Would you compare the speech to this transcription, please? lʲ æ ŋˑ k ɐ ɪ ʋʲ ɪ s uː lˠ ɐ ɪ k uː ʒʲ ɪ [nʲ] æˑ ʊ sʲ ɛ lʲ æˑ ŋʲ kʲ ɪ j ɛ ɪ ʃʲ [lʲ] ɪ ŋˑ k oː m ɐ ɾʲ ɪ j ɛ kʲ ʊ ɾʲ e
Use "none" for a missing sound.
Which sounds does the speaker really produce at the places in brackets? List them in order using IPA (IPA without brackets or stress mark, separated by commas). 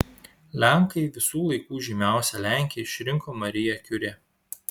mʲ, ɾʲ